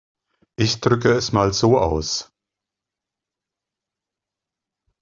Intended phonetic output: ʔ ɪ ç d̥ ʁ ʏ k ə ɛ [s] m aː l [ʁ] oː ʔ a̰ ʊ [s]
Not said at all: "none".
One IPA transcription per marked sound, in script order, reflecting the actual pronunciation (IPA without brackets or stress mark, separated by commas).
s, z, s